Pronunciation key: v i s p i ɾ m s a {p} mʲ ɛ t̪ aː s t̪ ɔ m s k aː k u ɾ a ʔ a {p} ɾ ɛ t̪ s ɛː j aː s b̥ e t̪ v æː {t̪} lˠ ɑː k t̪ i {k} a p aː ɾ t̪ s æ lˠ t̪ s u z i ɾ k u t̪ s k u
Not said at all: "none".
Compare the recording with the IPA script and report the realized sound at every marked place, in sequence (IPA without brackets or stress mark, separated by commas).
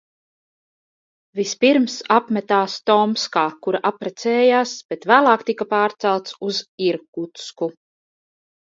p, p, none, k